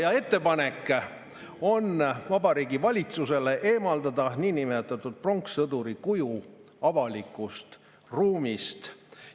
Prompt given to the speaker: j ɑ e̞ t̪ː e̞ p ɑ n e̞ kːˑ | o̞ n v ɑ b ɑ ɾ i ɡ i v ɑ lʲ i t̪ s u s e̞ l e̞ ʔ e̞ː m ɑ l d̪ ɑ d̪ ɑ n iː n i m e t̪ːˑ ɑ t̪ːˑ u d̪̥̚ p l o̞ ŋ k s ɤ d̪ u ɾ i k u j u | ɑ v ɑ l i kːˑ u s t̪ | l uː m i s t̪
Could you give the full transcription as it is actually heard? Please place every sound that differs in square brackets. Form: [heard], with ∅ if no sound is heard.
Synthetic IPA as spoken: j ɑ e̞ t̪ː e̞ p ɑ n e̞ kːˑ | o̞ n v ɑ b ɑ ɾ [iː] ɡ i v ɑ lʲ i t̪ s u s e̞ l e̞ ʔ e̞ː m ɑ l d̪ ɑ d̪ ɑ n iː n i m e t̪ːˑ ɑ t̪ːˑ u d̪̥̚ p [r] o̞ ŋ k s ɤ d̪ u ɾ i k u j u | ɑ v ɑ l i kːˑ u s t̪ | [r] uː m i s t̪